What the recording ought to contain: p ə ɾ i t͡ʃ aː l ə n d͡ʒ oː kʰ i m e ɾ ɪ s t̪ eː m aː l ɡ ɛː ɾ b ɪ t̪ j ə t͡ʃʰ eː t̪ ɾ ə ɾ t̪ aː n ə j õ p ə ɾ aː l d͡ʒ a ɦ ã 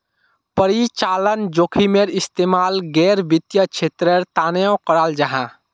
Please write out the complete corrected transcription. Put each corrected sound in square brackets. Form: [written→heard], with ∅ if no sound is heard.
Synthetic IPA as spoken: p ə ɾ i t͡ʃ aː l ə n d͡ʒ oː kʰ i m e ɾ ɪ s t̪ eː m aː l ɡ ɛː ɾ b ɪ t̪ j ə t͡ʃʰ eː t̪ ɾ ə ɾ t̪ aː n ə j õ [p→k] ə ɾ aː l d͡ʒ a ɦ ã